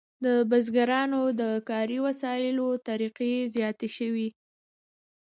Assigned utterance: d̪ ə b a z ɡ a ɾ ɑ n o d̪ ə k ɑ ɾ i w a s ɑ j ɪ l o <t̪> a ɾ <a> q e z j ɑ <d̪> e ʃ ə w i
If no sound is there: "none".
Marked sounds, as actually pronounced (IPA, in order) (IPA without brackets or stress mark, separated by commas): t̪, i, t̪